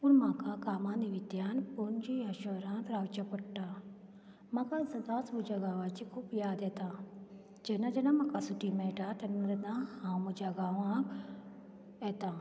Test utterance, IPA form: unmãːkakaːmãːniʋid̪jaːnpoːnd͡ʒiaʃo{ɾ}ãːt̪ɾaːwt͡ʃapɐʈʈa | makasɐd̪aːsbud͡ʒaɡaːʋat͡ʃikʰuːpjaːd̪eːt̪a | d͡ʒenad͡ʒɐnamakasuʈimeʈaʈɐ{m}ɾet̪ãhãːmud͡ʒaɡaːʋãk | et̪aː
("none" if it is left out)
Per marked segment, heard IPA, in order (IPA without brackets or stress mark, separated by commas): ɾ, n